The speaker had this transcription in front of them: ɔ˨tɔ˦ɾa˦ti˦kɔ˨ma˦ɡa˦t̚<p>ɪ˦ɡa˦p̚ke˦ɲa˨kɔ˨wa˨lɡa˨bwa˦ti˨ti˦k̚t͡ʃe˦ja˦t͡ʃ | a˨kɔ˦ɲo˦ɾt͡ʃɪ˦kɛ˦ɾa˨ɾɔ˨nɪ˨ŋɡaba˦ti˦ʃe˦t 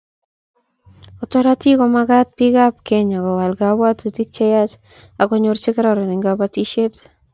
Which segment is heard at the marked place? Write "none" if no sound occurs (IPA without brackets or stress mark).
p